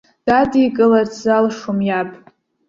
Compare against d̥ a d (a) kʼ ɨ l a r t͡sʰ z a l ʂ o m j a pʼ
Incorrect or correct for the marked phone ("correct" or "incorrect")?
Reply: incorrect